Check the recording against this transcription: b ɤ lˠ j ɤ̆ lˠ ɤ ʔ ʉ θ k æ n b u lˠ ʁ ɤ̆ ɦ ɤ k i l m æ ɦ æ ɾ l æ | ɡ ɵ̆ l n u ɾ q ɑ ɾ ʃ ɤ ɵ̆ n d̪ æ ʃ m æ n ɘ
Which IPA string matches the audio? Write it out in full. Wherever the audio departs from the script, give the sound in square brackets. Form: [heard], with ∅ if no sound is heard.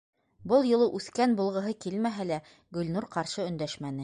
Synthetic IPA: b ɤ lˠ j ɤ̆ lˠ ɤ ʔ ʉ θ k æ n b u lˠ ʁ ɤ̆ ɦ ɤ k i l m æ ɦ æ [∅] l æ | ɡ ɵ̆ l n u ɾ q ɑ ɾ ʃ ɤ ɵ̆ n d̪ æ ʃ m æ n ɘ